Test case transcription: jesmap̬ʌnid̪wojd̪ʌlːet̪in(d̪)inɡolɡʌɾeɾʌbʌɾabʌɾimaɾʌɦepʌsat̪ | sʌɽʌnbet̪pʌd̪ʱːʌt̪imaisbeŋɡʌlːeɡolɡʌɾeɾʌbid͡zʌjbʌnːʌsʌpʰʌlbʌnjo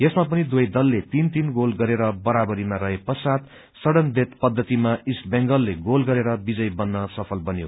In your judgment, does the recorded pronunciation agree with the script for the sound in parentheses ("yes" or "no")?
no